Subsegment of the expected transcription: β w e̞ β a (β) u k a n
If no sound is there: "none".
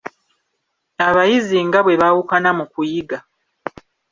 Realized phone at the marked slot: w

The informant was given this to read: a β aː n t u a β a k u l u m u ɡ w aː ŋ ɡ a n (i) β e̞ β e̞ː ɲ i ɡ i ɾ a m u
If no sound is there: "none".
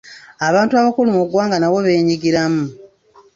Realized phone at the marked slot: a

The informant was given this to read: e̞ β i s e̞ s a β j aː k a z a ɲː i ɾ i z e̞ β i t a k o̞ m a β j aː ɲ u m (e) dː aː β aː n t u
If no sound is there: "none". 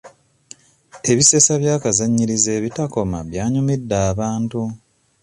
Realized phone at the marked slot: i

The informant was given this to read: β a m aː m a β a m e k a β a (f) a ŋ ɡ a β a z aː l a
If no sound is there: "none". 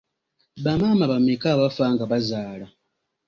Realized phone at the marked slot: f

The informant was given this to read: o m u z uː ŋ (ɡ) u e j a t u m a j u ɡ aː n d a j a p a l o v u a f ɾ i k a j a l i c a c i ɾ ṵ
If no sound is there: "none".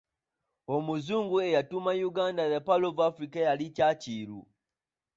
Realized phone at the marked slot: ɡ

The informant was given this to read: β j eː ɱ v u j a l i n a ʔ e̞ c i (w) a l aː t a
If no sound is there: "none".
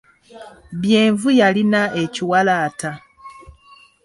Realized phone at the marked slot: w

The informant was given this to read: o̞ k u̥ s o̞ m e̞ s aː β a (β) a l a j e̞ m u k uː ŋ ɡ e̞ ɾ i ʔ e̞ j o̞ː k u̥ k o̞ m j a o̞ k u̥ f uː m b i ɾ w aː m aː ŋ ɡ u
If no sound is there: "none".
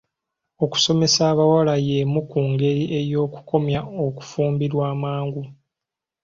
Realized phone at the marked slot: w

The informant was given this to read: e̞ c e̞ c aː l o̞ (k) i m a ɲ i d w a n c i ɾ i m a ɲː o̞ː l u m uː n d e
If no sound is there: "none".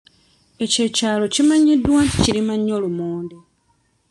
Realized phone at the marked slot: c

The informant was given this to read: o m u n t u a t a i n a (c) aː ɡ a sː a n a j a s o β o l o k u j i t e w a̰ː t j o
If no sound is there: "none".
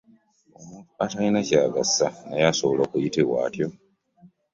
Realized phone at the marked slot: c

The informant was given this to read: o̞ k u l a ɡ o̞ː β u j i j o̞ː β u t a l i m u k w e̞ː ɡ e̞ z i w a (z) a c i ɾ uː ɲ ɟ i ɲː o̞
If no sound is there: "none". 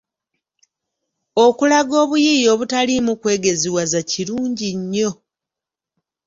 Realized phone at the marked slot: z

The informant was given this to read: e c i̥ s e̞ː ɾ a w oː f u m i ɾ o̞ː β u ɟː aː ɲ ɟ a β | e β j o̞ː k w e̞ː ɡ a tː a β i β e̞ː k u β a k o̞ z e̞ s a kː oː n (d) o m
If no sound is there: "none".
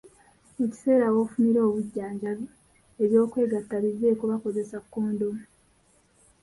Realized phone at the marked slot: d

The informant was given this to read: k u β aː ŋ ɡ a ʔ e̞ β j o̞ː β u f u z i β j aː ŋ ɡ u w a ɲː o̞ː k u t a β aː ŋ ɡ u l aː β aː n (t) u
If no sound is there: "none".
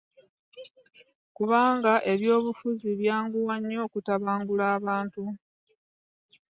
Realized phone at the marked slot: t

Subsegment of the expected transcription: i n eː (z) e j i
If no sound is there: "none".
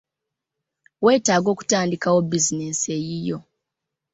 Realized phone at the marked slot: s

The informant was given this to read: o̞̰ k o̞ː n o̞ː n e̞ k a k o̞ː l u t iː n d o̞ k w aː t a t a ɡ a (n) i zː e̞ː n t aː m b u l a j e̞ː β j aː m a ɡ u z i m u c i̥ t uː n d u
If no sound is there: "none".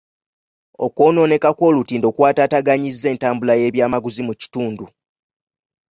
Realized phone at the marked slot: ɲ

